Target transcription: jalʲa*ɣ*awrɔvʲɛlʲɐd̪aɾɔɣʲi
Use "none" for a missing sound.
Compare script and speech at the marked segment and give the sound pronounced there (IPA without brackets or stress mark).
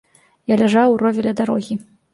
ʐ